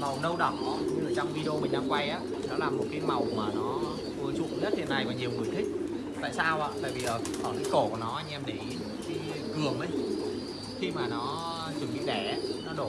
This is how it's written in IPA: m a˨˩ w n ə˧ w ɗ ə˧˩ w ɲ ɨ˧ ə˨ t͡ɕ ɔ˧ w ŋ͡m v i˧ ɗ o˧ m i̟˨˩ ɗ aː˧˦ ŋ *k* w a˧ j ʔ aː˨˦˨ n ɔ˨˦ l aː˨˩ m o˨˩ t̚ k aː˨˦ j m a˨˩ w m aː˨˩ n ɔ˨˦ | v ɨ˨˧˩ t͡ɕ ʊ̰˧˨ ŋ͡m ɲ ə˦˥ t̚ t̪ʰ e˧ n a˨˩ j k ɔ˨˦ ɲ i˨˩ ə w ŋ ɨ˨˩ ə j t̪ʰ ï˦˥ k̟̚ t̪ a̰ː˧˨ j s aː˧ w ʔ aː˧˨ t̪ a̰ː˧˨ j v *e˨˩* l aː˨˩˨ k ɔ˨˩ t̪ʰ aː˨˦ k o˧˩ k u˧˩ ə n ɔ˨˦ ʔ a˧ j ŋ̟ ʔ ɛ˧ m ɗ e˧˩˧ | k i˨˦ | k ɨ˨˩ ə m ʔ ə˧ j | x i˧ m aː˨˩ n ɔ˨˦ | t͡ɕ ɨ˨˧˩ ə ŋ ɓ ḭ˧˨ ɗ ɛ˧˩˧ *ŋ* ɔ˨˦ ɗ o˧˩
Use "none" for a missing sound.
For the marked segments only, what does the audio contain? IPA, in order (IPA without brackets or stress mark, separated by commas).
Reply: k, i˨˩, n